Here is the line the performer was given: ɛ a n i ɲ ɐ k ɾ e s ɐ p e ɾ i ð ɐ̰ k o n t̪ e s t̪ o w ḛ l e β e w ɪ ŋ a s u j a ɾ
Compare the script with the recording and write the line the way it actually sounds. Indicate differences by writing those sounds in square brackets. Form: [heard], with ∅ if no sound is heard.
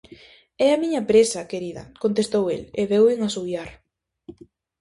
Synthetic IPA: ɛ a [m] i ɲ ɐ [p] ɾ e s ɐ [k] e ɾ i ð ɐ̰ k o n t̪ e s t̪ o w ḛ l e β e w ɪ ŋ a s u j a ɾ